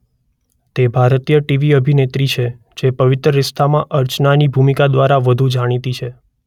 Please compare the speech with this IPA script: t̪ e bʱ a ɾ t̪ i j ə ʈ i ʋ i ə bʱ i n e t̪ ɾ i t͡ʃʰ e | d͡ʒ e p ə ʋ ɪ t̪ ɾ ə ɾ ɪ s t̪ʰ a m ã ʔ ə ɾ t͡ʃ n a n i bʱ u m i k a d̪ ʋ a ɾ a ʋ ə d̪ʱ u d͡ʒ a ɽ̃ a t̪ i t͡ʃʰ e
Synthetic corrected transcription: t̪ e bʱ a ɾ t̪ i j ə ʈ i ʋ i ə bʱ i n e t̪ ɾ i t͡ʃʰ e | d͡ʒ e p ə ʋ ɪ t̪ ɾ ə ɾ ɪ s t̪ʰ a m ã ʔ ə ɾ t͡ʃ n a n i bʱ u m i k a d̪ ʋ a ɾ a ʋ ə d̪ʱ u d͡ʒ a ɽ̃ i t̪ i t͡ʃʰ e